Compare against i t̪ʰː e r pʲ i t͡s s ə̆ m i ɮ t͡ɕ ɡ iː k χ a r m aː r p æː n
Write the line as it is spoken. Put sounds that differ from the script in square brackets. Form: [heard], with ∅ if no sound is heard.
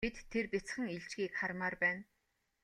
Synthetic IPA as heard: i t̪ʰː e r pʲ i t͡s [χ] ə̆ [ŋ] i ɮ t͡ɕ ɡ iː k χ a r m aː r p æː n